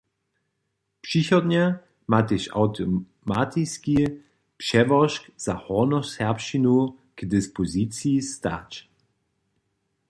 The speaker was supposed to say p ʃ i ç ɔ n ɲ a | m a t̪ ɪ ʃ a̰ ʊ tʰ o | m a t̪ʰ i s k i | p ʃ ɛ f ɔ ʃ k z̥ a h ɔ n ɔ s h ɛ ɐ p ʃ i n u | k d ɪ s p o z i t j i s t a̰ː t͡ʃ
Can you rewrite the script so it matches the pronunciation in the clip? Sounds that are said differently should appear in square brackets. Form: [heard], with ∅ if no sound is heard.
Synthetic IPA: p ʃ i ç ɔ [d] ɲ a | m a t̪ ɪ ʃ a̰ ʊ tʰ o | m a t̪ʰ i s k i | p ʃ ɛ [v] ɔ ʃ k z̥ a h ɔ n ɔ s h ɛ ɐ p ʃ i n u | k d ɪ s p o z i [t͡s] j i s t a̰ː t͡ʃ